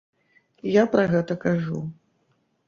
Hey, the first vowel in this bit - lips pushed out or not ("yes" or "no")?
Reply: no